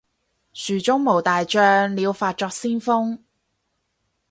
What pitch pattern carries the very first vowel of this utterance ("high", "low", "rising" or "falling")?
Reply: low